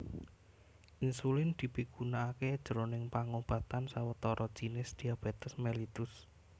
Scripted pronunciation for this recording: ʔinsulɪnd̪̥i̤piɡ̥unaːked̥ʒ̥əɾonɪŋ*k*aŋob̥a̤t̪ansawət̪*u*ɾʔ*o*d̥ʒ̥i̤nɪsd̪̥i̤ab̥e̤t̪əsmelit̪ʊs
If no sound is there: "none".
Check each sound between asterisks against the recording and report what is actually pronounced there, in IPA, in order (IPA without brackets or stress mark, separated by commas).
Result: p, ɔ, ɔ